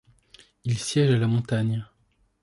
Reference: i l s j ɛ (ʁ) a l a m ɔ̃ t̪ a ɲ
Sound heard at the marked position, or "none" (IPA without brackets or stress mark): ʒ